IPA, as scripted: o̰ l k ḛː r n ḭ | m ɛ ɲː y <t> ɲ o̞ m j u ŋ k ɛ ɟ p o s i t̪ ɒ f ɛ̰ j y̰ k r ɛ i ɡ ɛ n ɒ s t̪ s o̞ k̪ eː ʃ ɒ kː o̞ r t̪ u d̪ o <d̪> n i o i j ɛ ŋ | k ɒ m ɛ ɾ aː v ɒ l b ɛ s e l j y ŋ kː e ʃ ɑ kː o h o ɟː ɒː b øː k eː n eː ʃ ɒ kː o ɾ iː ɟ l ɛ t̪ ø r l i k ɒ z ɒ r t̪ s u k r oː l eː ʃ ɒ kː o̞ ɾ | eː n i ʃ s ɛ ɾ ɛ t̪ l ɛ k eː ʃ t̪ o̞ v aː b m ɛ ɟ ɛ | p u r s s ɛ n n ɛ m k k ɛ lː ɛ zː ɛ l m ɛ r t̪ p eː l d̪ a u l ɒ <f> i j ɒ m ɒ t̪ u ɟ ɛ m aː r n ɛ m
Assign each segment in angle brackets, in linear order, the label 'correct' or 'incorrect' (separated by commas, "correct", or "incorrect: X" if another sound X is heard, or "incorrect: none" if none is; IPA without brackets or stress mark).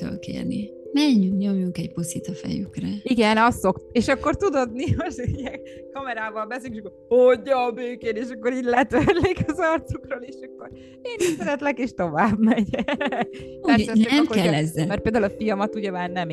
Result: incorrect: k, correct, correct